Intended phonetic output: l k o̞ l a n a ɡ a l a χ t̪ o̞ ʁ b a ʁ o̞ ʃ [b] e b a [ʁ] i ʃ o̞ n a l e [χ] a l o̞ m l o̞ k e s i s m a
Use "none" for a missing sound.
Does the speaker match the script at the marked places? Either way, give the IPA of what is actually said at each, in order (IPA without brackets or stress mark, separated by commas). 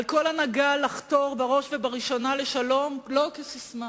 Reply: v, ʁ, ʃ